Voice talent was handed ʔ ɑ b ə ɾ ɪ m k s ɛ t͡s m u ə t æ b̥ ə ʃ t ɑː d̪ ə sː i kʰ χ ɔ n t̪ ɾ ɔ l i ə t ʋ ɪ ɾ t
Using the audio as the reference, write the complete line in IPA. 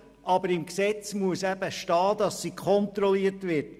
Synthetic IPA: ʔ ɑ b ə ɾ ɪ m k s ɛ t͡s m u ə s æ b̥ ə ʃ t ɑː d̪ ɑ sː i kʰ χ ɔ n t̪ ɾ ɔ l i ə t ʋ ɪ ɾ t